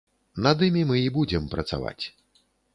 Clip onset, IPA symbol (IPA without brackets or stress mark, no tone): n